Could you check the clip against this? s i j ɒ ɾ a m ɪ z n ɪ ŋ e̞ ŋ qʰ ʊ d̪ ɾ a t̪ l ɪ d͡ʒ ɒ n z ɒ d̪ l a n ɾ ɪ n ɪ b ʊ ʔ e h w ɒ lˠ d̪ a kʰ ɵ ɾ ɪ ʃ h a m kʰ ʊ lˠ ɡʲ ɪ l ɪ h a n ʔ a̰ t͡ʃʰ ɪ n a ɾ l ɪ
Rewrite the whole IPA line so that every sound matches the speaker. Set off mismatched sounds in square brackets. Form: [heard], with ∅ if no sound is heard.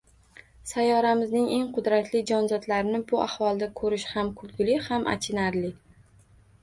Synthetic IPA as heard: s [a] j ɒ ɾ a m ɪ z n ɪ ŋ e̞ ŋ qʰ ʊ d̪ ɾ a t̪ l ɪ d͡ʒ ɒ n z ɒ d̪ l a [∅] ɾ ɪ n ɪ b ʊ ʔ [a] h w ɒ lˠ d̪ a kʰ ɵ ɾ ɪ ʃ h a m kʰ ʊ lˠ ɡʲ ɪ l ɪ h a [m] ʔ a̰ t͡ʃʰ ɪ n a ɾ l ɪ